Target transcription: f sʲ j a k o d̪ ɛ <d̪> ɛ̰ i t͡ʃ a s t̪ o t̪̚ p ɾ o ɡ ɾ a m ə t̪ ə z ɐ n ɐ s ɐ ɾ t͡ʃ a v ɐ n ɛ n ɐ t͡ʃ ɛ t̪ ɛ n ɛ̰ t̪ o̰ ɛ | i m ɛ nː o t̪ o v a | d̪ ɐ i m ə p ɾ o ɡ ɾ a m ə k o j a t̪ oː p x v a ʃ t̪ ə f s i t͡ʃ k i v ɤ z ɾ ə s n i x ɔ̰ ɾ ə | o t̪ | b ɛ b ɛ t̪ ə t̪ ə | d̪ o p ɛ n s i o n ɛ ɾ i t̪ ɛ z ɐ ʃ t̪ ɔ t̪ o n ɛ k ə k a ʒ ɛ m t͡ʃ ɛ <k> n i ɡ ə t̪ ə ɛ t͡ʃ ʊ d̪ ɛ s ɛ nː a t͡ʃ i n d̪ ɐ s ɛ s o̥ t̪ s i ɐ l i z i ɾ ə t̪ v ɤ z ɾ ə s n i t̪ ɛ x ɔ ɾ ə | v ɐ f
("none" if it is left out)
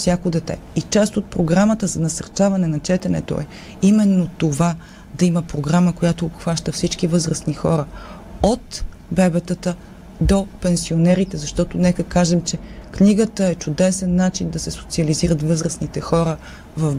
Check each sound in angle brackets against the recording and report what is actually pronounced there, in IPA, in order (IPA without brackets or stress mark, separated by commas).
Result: t̪, k